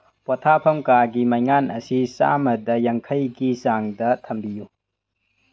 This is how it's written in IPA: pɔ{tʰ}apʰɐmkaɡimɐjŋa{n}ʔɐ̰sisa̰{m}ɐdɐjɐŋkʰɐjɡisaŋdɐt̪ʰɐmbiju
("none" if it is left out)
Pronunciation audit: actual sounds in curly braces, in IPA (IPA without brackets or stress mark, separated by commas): tʰ, n, m